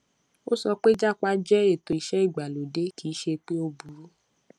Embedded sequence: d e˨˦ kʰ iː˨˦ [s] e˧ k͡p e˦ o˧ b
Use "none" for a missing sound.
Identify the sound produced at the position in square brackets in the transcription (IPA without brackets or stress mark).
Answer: ʃ